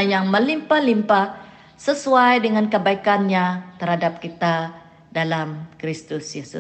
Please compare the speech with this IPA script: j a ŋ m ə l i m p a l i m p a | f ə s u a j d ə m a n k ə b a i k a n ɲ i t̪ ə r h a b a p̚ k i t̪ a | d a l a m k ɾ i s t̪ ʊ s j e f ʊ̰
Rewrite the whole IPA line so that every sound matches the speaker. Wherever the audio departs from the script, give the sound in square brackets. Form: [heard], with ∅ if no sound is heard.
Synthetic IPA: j a ŋ m ə l i m p a l i m p a | [s] ə s u a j d ə [ŋ] a n k ə b a i k a n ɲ [a] t̪ ə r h a [d] a p̚ k i t̪ a | d a l a m k ɾ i s t̪ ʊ s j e [s] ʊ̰